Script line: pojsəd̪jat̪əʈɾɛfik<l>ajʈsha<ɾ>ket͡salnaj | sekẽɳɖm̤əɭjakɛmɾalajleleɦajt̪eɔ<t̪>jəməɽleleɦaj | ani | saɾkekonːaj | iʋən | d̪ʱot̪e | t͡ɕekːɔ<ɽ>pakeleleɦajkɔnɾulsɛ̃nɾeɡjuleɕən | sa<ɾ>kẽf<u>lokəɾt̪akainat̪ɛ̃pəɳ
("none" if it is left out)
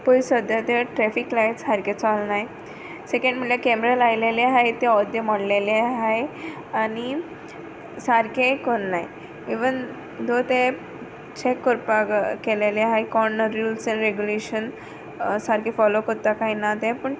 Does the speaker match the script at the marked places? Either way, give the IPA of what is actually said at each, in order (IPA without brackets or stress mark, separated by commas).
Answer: l, ɾ, d̪, ɾ, ɾ, ɔ